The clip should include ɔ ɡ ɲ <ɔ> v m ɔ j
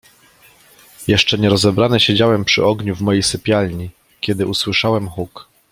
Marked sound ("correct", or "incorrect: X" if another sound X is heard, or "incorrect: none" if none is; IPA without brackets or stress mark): incorrect: u